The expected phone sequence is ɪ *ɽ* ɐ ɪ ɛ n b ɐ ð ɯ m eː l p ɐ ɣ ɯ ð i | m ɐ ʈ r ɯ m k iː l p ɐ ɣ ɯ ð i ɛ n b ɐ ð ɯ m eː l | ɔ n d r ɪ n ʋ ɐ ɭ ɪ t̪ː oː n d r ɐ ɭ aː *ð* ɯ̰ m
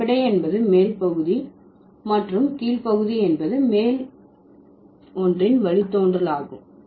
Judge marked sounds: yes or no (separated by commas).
yes, no